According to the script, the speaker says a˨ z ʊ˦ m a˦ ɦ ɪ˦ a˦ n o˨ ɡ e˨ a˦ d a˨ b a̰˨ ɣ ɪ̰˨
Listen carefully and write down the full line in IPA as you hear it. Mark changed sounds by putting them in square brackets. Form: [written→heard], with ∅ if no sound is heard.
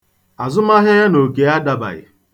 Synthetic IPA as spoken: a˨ z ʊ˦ m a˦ ɦ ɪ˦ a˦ n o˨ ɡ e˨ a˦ d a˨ b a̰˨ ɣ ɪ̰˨